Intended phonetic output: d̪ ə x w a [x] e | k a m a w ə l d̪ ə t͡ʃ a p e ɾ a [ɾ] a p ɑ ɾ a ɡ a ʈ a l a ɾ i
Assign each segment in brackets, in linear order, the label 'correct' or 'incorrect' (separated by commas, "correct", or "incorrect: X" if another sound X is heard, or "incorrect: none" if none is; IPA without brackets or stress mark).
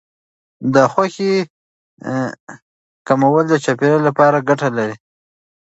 correct, incorrect: l